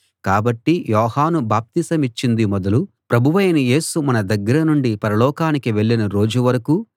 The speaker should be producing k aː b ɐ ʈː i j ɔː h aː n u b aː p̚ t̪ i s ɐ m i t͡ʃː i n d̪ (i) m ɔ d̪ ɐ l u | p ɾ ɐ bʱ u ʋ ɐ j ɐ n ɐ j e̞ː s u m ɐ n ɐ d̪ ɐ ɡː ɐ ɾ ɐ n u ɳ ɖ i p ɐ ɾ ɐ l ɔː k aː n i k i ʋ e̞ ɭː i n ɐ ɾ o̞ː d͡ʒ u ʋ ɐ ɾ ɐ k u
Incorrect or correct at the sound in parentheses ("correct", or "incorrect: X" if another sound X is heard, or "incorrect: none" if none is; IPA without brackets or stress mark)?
correct